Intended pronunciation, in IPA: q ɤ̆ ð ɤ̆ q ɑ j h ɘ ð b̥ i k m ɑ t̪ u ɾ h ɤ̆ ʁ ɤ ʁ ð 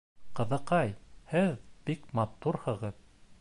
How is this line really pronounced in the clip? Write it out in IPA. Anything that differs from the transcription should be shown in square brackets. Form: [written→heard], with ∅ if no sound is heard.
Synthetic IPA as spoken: q ɤ̆ ð ɤ̆ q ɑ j h ɘ ð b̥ i k m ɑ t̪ u ɾ h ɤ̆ ʁ ɤ [ʁ→∅] ð